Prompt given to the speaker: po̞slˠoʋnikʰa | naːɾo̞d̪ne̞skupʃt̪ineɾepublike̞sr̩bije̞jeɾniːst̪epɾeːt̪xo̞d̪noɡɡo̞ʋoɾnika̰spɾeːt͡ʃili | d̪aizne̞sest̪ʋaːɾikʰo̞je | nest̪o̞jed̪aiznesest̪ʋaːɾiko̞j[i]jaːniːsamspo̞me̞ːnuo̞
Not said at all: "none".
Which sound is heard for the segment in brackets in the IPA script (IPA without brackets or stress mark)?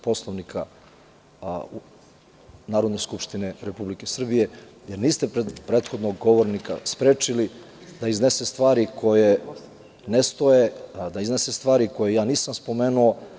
e